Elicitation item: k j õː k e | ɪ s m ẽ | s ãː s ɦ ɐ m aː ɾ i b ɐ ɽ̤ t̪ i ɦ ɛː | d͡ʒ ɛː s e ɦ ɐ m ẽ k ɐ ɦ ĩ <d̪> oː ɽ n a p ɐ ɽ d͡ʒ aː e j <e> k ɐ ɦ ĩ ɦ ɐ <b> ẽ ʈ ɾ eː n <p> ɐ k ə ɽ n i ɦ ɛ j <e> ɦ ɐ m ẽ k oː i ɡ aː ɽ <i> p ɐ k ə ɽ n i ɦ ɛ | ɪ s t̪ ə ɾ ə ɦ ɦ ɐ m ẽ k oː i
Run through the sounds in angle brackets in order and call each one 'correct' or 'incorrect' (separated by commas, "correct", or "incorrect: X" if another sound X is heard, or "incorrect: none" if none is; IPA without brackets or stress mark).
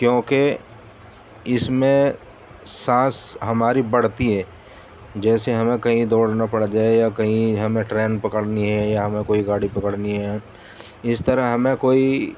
correct, incorrect: a, incorrect: m, correct, incorrect: a, correct